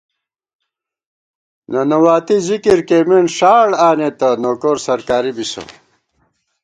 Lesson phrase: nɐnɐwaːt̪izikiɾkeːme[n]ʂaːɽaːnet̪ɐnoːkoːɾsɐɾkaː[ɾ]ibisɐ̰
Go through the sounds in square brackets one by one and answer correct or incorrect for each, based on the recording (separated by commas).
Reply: correct, correct